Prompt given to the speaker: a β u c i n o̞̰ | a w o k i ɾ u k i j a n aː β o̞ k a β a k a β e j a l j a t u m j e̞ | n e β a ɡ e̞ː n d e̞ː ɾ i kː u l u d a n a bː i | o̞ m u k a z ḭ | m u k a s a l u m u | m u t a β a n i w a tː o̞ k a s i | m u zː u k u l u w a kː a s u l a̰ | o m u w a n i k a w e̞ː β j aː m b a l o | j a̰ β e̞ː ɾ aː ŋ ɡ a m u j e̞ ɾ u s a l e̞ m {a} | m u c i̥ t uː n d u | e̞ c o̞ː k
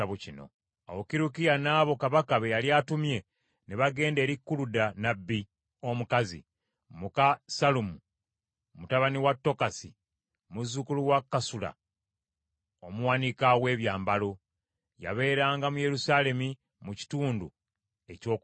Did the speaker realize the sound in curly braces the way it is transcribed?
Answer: no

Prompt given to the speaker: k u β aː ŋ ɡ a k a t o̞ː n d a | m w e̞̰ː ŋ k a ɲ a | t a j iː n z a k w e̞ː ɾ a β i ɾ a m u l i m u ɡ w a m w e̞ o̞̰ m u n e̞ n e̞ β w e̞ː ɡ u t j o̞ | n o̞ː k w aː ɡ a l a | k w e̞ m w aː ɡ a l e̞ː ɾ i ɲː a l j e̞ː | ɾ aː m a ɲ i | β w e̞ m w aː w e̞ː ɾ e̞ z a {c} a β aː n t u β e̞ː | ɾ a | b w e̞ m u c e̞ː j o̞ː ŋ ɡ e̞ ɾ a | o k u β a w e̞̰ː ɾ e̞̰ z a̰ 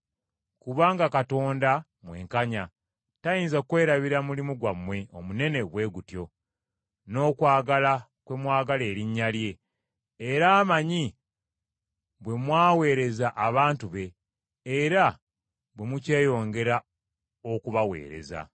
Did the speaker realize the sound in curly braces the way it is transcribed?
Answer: no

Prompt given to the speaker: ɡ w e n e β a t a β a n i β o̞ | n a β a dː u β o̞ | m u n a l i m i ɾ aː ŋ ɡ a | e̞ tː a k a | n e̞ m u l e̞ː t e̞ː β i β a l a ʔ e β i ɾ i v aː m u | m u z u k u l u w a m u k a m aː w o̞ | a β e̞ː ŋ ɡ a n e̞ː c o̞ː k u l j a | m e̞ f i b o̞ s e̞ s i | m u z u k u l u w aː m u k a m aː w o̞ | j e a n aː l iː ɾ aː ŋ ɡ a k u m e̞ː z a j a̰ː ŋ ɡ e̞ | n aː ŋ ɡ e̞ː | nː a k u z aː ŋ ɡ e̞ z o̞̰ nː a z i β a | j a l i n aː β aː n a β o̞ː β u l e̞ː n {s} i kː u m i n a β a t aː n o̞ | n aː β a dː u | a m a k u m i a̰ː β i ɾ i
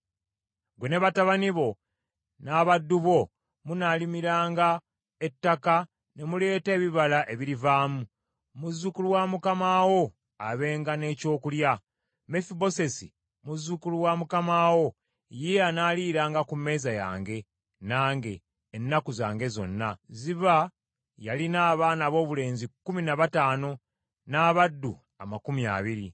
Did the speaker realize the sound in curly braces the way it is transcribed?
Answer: no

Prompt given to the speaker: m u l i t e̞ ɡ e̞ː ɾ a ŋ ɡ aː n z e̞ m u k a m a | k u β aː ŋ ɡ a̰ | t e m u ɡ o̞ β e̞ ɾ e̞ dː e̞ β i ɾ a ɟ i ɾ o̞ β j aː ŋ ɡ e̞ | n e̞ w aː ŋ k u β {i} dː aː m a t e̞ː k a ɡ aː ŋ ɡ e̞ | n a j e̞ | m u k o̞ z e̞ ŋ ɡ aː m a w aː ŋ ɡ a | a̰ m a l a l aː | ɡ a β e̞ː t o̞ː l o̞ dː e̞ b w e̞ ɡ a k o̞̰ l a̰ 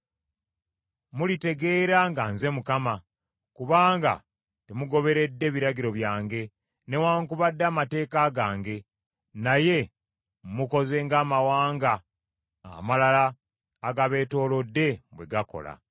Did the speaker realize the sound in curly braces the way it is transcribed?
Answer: no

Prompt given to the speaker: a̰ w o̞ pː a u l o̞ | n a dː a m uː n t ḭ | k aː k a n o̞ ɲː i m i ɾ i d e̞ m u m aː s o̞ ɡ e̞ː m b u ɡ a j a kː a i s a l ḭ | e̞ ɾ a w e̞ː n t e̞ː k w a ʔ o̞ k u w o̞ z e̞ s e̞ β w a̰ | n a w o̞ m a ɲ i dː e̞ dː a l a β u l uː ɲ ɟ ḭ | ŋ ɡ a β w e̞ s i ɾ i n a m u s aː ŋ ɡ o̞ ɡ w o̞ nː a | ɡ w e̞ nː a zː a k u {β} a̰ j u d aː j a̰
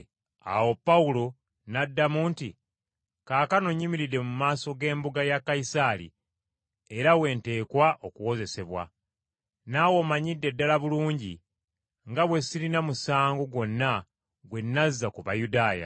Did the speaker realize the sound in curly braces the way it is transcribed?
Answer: yes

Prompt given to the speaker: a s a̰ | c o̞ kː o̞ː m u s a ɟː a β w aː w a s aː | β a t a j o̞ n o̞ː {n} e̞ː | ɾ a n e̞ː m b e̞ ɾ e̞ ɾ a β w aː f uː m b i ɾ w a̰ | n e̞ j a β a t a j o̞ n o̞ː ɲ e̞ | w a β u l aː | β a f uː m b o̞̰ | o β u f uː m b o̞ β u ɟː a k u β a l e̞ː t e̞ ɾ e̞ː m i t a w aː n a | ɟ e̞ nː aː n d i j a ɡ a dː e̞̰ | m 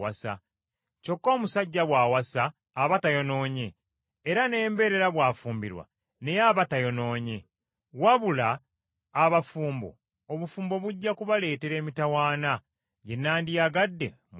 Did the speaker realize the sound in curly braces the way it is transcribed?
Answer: no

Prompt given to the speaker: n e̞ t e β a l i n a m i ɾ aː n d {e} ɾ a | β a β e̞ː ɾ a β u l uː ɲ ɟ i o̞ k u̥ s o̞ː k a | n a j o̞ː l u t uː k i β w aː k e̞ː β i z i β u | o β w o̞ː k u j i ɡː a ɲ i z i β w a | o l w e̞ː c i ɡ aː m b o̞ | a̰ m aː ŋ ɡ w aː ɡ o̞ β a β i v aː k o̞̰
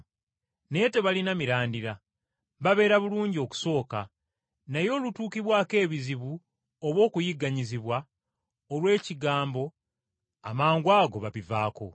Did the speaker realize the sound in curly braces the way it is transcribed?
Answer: no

